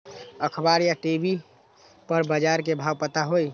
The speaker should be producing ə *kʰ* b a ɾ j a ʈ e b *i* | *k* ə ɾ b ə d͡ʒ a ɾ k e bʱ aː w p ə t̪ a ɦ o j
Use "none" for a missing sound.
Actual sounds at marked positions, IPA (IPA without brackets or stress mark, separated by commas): kʰ, i, p